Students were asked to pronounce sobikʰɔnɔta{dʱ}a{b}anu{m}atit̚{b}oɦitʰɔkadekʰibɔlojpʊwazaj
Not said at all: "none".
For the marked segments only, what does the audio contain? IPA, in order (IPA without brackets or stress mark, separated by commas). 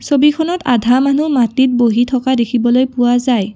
dʱ, m, m, b